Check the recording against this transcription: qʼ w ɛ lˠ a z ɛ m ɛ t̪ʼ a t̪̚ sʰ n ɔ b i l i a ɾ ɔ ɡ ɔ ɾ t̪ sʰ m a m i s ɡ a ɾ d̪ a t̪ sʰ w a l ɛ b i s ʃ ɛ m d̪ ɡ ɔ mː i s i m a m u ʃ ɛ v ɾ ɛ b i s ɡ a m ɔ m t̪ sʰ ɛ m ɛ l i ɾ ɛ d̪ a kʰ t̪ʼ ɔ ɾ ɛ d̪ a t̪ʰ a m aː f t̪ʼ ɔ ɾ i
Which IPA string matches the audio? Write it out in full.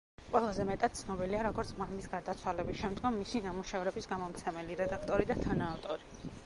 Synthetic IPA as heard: qʼ w ɛ lˠ a z ɛ m ɛ t̪ʼ a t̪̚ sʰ n ɔ b i l i a ɾ ɔ ɡ ɔ ɾ t̪ sʰ m a m i s ɡ a ɾ d̪ a t̪ sʰ w a l ɛ b i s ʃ ɛ m d̪ ɡ ɔ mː i s i n a m u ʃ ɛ v ɾ ɛ b i s ɡ a m ɔ m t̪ sʰ ɛ m ɛ l i ɾ ɛ d̪ a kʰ t̪ʼ ɔ ɾ i d̪ a t̪ʰ a n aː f t̪ʼ ɔ ɾ i